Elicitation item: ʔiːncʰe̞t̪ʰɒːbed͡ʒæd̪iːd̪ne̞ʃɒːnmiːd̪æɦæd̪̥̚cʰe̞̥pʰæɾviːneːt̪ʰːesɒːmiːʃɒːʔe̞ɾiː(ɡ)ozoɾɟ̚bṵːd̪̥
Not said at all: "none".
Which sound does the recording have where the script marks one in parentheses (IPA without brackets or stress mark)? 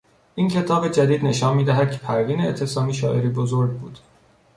b